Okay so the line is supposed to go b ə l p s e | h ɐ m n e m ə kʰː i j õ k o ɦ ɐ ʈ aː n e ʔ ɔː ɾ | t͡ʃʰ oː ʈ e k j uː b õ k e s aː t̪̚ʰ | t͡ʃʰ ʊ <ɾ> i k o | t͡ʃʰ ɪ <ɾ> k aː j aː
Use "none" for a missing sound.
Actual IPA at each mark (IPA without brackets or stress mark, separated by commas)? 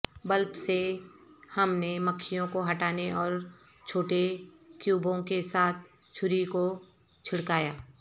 ɾ, ɽ